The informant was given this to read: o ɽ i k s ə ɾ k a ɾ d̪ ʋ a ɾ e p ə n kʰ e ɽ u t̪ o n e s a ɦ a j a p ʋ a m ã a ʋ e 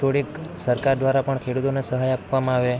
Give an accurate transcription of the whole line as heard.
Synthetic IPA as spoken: o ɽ i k s ə ɾ k a ɾ d̪ ʋ a ɾ a p ə ɳ kʰ e ɽ u t̪ o n e s ə ɦ a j a p ʋ a m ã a ʋ e

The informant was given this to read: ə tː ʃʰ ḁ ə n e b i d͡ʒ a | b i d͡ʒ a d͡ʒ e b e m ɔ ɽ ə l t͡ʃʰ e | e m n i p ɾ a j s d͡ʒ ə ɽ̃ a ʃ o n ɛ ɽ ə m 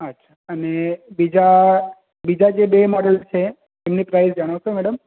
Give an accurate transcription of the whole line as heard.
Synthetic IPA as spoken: ə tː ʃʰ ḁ ə n e b i d͡ʒ a | b i d͡ʒ a d͡ʒ e b e m ɔ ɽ ə l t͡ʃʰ e | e m n i p ɾ a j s d͡ʒ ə ɽ̃ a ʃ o m ɛ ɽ ə m

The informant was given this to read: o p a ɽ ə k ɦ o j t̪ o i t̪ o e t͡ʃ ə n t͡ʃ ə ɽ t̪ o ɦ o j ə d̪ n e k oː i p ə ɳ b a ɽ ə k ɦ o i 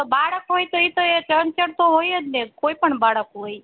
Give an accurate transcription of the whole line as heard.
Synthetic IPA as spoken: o b a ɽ ə k ɦ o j t̪ o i t̪ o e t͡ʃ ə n t͡ʃ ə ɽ t̪ o ɦ o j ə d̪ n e k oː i p ə ɳ b a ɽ ə k ɦ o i

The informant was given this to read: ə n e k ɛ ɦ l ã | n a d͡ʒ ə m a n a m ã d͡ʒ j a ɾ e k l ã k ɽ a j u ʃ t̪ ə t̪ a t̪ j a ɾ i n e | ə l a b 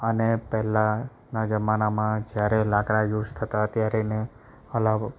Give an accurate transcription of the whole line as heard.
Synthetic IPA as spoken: ə n e p ɛ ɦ l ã | n a d͡ʒ ə m a n a m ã d͡ʒ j a ɾ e l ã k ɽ a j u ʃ t̪ʰ ə t̪ a t̪ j a ɾ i n e | ə l a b

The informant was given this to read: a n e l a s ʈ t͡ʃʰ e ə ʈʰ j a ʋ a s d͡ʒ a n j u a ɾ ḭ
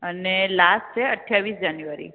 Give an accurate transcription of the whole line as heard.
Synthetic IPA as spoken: ə n e l a s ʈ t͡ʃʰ e ə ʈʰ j a ʋ i s d͡ʒ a n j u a ɾ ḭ

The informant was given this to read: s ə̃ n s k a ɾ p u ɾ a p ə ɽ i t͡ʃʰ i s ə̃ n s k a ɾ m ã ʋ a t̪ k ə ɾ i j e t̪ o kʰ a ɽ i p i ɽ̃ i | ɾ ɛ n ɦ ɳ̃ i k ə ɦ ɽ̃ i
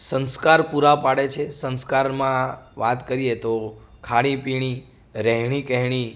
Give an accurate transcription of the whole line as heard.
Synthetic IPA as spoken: s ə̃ n s k a ɾ p u ɾ a p a ɽ e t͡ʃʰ e s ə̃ n s k a ɾ m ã ʋ a t̪ k ə ɾ i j e t̪ o kʰ a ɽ i p i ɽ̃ i | ɾ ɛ ɦ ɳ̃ i k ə ɦ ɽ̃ i

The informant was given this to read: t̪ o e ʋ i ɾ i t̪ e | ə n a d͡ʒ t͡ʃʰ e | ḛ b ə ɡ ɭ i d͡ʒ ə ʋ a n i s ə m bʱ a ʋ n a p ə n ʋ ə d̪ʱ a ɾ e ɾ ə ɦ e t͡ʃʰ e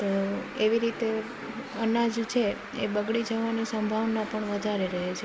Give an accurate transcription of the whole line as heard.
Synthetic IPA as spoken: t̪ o e ʋ i ɾ i t̪ e | ə n a d͡ʒ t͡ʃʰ e | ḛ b ə ɡ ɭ i d͡ʒ ə ʋ a n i s ə m bʱ a ʋ n a p ə ɳ ʋ ə d̪ʱ a ɾ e ɾ ə ɦ e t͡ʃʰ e

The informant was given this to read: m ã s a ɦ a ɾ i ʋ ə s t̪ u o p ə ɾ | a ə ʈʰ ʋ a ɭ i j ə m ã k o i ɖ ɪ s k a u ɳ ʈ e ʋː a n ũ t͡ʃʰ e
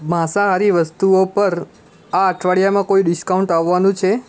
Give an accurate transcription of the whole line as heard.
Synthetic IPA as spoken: m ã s a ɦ a ɾ i ʋ ə s t̪ u o p ə ɾ | a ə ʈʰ ʋ a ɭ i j a m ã k o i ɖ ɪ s k a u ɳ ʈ a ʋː a n ũ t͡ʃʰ e

